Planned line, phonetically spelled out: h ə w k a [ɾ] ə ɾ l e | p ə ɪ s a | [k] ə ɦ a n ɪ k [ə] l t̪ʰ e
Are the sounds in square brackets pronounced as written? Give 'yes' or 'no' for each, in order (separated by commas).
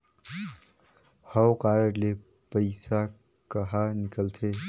yes, yes, yes